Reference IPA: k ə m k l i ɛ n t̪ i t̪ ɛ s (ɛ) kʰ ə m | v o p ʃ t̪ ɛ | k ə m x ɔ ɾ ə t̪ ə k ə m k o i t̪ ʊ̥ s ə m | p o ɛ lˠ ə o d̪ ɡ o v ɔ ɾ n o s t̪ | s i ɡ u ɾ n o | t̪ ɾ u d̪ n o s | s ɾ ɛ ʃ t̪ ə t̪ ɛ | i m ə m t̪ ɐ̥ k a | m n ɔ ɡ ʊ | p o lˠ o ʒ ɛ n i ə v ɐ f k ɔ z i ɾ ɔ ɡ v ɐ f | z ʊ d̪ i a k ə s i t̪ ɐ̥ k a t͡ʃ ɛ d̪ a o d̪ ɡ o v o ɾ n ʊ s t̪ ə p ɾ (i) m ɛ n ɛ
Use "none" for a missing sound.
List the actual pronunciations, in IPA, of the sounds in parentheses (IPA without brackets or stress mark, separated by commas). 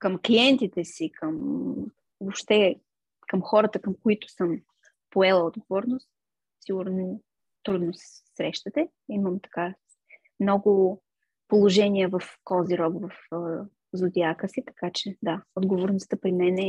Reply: i, i